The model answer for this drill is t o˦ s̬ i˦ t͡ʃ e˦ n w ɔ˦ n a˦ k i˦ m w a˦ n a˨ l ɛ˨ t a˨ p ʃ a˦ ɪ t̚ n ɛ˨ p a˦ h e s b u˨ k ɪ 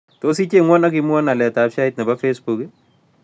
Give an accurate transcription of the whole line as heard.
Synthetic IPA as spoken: t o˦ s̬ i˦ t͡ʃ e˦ ŋ w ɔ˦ n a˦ k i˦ m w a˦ n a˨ l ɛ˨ t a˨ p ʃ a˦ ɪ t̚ n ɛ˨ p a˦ f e s b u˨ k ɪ